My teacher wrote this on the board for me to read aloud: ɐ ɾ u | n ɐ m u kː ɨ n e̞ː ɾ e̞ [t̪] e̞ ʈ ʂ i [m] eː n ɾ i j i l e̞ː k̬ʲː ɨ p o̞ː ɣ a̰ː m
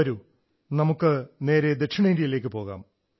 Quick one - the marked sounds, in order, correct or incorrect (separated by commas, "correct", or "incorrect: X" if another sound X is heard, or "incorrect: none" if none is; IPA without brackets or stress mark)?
incorrect: d̪, incorrect: ɳ